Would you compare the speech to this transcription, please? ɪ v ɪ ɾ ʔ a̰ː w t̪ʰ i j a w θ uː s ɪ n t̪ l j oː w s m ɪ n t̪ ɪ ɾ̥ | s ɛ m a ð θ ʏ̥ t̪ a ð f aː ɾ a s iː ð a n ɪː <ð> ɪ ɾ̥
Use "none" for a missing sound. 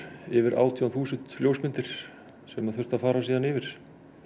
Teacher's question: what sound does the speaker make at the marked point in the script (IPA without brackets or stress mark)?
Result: v